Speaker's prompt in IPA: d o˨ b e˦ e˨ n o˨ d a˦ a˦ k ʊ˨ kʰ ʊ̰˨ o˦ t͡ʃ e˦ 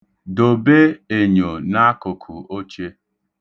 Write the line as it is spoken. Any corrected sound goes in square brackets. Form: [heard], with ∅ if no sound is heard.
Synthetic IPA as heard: d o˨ b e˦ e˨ [ɲ] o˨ [n] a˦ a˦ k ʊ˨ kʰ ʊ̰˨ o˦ t͡ʃ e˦